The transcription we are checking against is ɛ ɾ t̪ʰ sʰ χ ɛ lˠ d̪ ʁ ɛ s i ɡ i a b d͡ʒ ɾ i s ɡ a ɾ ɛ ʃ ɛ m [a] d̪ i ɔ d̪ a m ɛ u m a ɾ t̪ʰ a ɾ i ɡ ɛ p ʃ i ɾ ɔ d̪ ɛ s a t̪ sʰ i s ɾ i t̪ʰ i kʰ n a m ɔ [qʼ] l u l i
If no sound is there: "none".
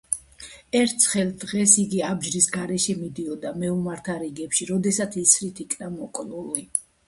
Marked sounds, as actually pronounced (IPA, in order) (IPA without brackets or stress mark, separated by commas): i, kʼ